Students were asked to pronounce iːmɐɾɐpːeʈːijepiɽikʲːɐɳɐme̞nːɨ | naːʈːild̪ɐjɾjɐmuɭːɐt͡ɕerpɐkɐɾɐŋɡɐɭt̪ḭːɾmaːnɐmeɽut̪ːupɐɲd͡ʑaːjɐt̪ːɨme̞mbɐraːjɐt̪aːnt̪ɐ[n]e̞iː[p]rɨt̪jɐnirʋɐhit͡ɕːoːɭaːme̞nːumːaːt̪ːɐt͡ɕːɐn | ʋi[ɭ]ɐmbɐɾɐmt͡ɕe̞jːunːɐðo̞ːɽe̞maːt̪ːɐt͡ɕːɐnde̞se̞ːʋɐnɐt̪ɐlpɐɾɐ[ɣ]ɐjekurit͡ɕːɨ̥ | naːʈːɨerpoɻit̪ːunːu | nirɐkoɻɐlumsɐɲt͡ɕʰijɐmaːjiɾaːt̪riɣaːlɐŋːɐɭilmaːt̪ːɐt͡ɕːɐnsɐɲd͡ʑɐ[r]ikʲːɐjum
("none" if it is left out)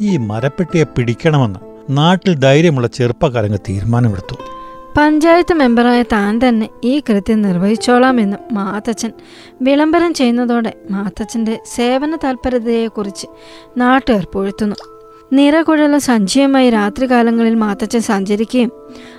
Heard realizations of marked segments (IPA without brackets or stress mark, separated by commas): nː, k, ɭ, ð, ɾ